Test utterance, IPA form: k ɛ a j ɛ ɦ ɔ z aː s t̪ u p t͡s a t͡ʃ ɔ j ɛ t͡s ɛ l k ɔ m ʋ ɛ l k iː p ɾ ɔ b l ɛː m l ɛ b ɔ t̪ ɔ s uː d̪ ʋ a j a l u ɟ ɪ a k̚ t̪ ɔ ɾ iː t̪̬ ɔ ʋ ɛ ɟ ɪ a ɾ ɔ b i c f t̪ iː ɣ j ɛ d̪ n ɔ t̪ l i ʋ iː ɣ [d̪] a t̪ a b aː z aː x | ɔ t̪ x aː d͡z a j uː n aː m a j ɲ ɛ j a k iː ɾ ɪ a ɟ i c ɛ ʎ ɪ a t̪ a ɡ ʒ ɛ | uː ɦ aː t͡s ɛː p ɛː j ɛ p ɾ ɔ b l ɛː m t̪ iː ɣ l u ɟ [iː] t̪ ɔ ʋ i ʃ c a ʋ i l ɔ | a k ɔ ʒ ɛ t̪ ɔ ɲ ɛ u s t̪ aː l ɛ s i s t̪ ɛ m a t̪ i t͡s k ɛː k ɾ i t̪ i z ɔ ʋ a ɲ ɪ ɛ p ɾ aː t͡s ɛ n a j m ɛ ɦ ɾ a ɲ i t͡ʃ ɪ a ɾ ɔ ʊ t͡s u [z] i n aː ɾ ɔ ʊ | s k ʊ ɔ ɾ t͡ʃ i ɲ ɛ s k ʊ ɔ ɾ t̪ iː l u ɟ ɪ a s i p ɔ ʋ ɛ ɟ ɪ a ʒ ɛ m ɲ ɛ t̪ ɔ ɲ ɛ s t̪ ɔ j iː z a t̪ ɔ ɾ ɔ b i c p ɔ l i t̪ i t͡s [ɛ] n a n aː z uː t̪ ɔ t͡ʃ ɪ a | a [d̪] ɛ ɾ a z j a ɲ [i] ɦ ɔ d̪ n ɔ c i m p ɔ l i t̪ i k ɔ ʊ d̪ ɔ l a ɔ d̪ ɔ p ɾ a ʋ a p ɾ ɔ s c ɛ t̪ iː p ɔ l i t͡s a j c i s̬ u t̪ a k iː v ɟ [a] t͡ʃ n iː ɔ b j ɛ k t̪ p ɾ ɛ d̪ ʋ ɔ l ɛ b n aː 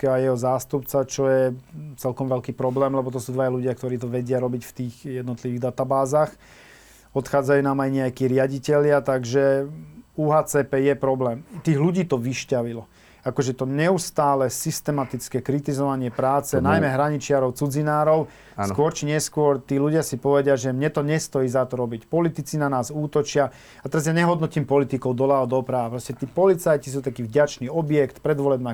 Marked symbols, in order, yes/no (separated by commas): yes, yes, no, no, no, no, yes